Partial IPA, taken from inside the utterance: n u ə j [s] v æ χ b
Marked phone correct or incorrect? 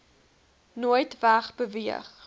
incorrect: t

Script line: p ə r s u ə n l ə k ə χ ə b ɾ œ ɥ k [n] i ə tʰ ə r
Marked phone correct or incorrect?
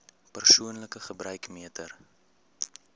incorrect: m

